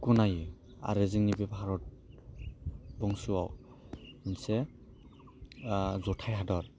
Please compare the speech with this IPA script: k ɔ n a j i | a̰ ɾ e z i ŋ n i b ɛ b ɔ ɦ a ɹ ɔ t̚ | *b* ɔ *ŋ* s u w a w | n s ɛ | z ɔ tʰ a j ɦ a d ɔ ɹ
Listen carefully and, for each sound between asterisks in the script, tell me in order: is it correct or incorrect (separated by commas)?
correct, correct